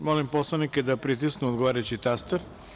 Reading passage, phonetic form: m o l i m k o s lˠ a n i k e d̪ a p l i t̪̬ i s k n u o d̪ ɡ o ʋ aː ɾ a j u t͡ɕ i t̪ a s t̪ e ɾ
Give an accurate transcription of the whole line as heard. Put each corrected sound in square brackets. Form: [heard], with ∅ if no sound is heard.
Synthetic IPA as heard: m o l i m [p] o s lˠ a n i k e d̪ a p [ɾ] i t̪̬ i s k n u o d̪ ɡ o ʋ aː ɾ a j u t͡ɕ i t̪ a s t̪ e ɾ